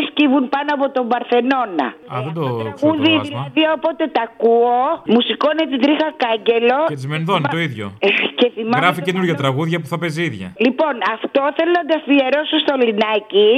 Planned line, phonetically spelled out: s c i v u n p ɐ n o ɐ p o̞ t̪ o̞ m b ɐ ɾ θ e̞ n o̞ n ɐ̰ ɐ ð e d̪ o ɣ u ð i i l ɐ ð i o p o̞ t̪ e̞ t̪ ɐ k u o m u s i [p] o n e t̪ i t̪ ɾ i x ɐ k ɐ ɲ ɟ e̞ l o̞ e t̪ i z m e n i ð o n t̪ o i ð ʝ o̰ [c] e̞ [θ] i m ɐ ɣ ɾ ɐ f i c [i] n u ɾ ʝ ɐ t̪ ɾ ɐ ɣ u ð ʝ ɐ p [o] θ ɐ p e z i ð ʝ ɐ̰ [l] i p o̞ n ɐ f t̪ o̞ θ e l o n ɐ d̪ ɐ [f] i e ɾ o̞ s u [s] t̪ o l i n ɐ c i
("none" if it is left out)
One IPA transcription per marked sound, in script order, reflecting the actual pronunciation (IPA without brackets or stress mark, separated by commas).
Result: k, c, θ, e, u, l, f, s